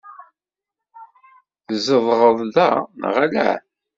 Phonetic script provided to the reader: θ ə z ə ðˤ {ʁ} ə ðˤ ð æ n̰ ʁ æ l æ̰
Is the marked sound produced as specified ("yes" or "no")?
yes